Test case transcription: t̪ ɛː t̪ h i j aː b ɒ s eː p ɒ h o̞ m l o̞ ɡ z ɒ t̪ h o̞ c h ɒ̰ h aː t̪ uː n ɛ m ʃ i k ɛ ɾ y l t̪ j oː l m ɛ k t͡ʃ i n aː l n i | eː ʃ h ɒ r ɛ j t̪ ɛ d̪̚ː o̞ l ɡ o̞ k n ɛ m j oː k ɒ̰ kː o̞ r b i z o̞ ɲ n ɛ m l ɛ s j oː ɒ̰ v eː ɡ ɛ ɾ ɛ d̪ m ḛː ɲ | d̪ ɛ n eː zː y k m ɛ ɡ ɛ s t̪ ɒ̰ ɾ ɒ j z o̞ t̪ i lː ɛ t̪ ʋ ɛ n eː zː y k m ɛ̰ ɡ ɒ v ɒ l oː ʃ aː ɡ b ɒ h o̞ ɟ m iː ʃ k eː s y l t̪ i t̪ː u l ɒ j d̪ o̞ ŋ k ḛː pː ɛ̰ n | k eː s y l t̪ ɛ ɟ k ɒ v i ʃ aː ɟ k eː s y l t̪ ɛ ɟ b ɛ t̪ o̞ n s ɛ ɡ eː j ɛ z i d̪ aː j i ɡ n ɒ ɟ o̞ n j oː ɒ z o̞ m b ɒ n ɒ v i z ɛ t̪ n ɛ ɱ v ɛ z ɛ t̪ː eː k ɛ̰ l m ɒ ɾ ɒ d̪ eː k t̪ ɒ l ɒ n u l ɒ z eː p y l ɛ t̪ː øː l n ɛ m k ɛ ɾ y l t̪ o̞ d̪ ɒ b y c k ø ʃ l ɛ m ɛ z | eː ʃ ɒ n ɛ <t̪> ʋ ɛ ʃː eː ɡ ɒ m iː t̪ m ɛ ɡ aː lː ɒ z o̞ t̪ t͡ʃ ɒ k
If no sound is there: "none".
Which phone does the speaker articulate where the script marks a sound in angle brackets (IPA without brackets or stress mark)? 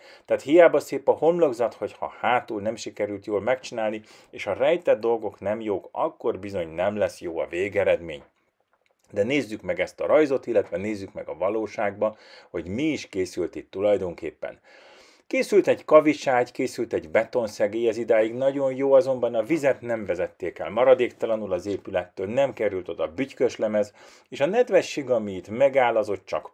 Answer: d̪